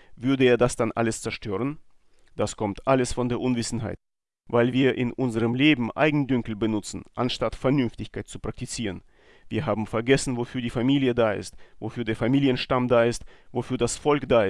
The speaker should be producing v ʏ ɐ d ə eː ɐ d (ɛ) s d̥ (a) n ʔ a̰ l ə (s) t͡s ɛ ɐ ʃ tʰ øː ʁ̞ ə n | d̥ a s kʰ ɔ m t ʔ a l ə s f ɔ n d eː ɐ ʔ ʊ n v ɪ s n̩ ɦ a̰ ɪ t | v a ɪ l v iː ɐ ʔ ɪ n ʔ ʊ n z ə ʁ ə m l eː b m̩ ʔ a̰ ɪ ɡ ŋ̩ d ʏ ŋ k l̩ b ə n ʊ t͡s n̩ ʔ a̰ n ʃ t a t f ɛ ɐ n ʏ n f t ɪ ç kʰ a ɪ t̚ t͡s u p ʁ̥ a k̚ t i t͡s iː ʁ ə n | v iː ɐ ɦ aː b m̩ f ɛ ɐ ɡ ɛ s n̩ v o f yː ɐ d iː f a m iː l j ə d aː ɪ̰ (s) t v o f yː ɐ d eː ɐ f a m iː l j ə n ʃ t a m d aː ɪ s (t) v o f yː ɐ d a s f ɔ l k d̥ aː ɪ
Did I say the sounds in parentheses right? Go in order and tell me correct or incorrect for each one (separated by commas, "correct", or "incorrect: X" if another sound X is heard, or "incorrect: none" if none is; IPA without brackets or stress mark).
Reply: incorrect: a, correct, correct, correct, correct